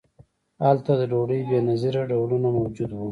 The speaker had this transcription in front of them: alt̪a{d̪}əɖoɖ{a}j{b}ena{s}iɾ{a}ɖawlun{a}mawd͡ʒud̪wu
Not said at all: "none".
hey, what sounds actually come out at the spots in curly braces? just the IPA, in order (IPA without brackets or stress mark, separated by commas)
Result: d̪, ə, b, z, a, a